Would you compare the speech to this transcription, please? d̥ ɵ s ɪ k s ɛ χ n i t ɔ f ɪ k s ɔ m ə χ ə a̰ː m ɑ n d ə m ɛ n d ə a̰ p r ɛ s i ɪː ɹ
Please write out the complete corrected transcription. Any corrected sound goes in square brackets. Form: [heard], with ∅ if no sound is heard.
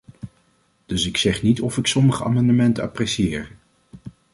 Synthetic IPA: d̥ ɵ s ɪ k s ɛ χ n i t ɔ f ɪ k s ɔ m ə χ ə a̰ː m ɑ n d ə m ɛ n [t] ə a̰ p r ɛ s i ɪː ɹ

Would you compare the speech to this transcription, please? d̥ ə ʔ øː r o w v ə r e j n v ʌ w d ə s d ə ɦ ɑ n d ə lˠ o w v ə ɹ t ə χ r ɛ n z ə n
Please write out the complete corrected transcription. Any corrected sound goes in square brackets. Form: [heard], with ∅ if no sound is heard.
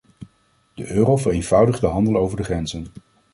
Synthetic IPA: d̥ ə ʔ øː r o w v ə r e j n v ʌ w d ə [χ] d ə ɦ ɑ n d ə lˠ o w v ə ɹ [d] ə χ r ɛ n z ə n

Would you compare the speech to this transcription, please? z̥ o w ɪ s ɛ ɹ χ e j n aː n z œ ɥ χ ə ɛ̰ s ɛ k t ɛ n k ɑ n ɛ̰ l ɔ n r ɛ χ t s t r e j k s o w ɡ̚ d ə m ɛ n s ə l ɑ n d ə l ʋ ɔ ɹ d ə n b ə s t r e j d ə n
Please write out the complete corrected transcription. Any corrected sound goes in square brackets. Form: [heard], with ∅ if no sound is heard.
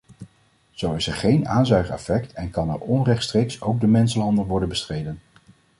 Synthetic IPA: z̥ o w ɪ s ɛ ɹ χ e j n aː n z œ ɥ χ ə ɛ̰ [f] ɛ k t ɛ n k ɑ n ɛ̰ [ɹ] ɔ n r ɛ χ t s t r e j k s o w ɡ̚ d ə m ɛ n s ə l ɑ n d ə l ʋ ɔ ɹ d ə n b ə s t r e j d ə n

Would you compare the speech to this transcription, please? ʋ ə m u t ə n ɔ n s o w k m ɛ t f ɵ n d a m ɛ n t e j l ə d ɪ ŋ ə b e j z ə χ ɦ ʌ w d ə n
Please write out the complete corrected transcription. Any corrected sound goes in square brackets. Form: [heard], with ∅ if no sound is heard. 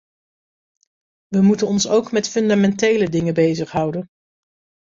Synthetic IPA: ʋ ə m u t ə n ɔ n s o w k m ɛ t f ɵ n d a m ɛ n t e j l ə d ɪ ŋ ə b e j z ə χ ɦ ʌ w d ə n

